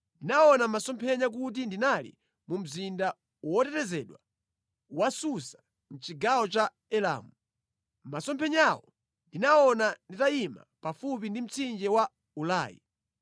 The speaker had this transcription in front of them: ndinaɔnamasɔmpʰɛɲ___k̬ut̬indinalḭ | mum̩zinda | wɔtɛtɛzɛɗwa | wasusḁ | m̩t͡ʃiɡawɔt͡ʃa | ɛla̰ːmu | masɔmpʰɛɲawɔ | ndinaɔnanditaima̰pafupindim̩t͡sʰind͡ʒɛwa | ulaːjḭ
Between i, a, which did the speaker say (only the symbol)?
a